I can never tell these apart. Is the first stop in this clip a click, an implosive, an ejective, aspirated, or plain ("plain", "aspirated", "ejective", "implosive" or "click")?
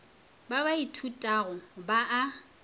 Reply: plain